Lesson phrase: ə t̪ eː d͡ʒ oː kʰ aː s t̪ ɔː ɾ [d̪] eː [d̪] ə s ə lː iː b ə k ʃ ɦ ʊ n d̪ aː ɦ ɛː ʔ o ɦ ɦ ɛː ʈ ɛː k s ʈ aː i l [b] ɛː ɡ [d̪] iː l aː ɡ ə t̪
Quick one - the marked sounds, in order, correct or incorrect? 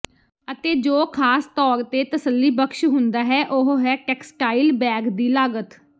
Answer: incorrect: t̪, incorrect: t̪, correct, correct

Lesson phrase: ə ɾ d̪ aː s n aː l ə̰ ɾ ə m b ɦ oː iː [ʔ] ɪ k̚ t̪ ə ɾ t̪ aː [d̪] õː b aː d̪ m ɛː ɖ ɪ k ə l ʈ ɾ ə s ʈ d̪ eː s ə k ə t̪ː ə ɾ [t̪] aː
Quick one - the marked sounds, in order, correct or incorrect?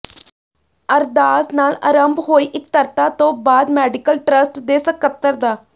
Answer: correct, incorrect: t̪, incorrect: d̪

